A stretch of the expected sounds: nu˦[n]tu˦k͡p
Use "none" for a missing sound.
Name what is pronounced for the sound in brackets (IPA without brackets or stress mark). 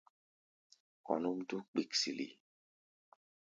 m